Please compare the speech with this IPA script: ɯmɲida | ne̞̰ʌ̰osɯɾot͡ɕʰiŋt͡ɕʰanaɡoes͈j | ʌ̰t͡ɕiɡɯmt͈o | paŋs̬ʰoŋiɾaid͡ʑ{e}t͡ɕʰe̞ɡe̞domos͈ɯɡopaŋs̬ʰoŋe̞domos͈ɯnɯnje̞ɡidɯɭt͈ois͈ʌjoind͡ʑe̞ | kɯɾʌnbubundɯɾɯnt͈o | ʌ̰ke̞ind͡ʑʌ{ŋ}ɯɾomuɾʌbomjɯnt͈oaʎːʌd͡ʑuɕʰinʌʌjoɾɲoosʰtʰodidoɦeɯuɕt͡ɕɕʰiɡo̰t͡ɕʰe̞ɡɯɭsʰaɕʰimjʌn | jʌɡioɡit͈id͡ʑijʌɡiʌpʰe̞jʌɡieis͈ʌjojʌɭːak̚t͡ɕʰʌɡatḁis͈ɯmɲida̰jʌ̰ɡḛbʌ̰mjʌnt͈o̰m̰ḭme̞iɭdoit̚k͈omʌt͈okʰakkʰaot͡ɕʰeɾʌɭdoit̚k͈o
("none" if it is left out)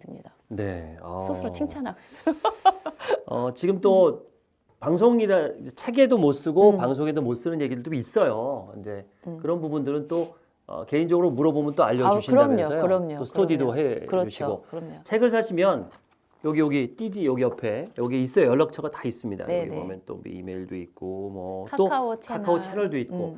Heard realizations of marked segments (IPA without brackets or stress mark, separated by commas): e, ɡ